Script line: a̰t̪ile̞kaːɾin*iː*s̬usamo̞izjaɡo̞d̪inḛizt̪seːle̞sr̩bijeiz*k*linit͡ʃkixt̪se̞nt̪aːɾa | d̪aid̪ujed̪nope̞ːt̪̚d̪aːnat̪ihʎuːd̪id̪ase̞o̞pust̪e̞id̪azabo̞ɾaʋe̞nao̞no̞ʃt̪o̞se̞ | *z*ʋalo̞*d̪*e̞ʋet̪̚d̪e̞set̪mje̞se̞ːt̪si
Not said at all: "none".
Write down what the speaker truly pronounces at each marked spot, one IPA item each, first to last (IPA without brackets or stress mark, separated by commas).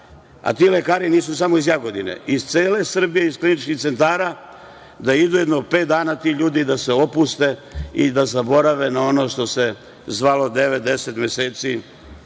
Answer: iː, k, z, d̪